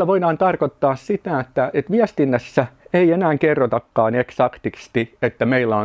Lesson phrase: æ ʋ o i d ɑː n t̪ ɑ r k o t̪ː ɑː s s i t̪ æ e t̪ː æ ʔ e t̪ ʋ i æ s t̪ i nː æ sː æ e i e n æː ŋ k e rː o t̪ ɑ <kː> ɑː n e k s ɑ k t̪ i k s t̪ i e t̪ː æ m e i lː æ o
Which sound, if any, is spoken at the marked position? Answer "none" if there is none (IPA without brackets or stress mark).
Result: kː